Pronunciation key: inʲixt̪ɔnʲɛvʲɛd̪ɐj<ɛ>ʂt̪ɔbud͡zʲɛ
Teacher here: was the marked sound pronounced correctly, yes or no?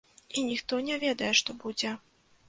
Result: yes